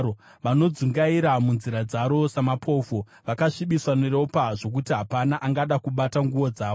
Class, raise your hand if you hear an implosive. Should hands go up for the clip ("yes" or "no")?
yes